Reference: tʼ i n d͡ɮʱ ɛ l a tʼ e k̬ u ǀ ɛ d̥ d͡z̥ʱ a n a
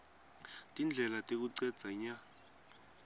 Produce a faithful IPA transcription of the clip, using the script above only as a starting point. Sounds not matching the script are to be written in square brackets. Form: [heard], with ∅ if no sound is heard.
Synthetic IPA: tʼ i n d͡ɮʱ ɛ l a tʼ e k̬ u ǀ ɛ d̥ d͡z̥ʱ a [ɲ] a